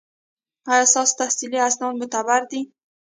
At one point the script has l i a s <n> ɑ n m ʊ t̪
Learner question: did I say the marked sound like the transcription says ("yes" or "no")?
yes